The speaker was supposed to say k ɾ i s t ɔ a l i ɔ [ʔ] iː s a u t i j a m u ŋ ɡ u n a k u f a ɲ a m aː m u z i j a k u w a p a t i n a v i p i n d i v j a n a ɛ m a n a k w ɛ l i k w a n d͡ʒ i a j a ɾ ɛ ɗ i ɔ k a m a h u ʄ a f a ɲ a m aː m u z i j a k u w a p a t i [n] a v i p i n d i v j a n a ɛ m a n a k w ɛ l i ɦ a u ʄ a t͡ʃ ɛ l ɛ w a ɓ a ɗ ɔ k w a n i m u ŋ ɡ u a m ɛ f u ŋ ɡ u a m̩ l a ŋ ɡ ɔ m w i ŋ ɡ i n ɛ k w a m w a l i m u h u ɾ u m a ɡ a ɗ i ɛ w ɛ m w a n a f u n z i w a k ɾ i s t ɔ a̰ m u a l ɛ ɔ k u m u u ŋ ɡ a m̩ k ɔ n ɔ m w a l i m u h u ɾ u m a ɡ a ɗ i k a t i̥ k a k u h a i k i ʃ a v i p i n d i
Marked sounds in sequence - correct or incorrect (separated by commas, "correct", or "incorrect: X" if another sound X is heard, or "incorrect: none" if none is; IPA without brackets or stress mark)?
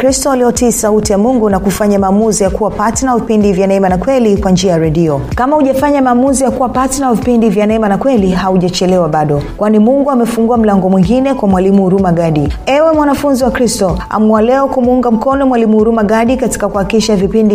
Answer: incorrect: t, correct